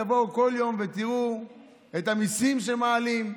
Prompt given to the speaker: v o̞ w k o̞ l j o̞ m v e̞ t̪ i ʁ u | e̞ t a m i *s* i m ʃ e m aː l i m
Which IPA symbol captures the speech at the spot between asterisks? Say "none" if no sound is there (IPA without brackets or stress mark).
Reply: s